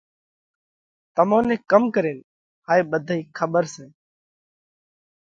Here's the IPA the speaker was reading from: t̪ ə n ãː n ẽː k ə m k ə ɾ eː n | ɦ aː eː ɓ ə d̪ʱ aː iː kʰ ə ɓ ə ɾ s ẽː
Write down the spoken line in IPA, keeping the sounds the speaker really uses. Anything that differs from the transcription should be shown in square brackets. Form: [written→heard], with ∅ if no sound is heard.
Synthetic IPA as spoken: t̪ ə [n→m] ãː n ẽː k ə m k ə ɾ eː n | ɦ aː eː ɓ ə d̪ʱ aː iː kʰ ə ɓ ə ɾ s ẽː